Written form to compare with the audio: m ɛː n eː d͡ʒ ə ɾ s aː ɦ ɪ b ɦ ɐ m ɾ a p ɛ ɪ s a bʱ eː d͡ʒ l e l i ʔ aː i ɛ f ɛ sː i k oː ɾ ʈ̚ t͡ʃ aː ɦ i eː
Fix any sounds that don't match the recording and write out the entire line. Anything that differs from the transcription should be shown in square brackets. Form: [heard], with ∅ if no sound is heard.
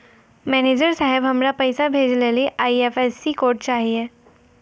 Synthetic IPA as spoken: m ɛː n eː d͡ʒ ə ɾ s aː ɦ ɪ b ɦ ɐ m ɾ a p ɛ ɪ s a bʱ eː d͡ʒ l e l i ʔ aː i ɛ f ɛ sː i k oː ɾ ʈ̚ t͡ʃ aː ɦ i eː